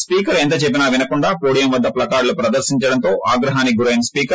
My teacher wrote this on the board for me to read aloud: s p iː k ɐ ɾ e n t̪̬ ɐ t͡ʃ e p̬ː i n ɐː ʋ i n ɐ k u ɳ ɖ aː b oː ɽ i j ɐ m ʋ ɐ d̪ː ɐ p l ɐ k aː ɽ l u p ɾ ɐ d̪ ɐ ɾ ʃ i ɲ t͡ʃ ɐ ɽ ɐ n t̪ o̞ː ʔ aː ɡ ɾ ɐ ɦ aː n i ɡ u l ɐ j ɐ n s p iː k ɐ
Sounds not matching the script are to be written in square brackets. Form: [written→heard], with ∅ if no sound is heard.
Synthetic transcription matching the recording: s p iː k ɐ ɾ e n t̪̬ ɐ t͡ʃ e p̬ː i n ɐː ʋ i n ɐ k u ɳ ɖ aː [b→p] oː ɽ i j ɐ m ʋ ɐ d̪ː ɐ p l ɐ k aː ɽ l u p ɾ ɐ d̪ ɐ ɾ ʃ i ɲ t͡ʃ ɐ ɽ ɐ n t̪ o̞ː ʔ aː ɡ ɾ ɐ ɦ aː n i ɡ u [l→ɾ] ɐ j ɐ n s p iː k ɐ